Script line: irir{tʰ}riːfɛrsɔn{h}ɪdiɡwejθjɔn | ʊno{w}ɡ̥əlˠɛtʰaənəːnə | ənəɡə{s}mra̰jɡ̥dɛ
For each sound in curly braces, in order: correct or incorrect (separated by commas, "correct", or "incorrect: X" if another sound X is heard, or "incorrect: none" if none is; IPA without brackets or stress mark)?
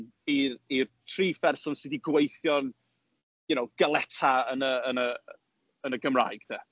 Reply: correct, incorrect: s, correct, incorrect: none